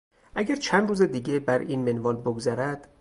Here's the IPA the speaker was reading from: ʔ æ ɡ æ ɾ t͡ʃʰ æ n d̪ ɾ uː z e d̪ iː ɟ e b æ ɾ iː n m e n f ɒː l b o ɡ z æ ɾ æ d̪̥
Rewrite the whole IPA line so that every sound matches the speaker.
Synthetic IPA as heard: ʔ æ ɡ æ ɾ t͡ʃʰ æ n d̪ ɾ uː z e d̪ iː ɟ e b æ ɾ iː n m e n v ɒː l b o ɡ z æ ɾ æ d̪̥